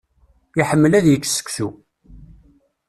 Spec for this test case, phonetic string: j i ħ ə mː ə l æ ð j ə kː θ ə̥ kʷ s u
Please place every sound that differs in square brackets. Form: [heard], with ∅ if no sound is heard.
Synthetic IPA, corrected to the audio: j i ħ ə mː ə l æ ð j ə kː [s] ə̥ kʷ s u